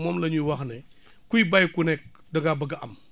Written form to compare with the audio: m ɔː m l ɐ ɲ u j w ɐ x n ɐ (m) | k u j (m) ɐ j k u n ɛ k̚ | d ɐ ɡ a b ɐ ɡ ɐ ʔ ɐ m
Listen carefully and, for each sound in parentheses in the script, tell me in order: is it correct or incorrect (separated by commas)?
incorrect, incorrect